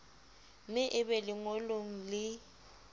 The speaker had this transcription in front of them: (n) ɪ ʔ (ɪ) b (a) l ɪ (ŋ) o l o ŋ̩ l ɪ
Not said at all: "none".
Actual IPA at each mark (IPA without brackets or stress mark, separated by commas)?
m, ɪ, ɛ, ŋ